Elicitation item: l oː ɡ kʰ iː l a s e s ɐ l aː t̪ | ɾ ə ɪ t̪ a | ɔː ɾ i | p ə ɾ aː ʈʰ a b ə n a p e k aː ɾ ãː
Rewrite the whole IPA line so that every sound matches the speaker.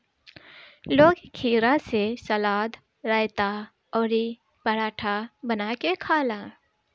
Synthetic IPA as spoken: l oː ɡ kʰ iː ɾ a s e s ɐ l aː d̪ | ɾ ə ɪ t̪ a | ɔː ɾ i | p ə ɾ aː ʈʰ a b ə n a k e kʰ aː l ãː